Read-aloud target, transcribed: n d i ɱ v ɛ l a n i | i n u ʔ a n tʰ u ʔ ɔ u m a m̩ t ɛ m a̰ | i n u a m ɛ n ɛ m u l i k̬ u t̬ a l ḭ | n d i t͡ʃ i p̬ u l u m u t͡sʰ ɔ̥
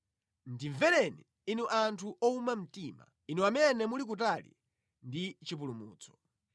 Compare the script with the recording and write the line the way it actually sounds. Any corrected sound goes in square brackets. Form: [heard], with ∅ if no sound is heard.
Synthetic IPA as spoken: n d i ɱ v ɛ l [ɛ] n i | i n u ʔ a n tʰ u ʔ ɔ u m a m̩ t [i] m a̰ | i n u a m ɛ n ɛ m u l i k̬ u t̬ a l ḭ | n d i t͡ʃ i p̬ u l u m [uː] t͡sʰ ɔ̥